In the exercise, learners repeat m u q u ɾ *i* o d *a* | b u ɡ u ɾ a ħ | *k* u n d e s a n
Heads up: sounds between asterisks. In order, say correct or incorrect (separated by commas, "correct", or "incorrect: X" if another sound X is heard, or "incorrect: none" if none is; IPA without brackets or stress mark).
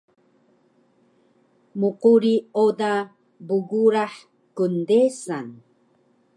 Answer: correct, correct, correct